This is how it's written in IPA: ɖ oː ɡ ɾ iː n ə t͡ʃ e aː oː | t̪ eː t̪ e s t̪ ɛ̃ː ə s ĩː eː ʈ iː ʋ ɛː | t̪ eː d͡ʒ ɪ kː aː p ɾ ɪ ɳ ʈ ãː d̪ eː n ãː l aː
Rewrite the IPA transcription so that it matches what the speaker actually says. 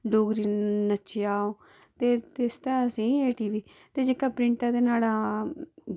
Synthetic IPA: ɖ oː ɡ ɾ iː n ə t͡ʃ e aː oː | t̪ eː t̪ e s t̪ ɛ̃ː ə s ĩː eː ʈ iː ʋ iː | t̪ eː d͡ʒ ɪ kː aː p ɾ ɪ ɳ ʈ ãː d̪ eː n aː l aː